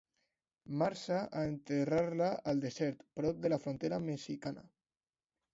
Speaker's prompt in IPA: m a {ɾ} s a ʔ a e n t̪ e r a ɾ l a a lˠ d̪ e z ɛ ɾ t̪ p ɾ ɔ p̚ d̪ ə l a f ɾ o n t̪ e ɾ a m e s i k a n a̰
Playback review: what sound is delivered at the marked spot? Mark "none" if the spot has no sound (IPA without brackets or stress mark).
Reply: ɾ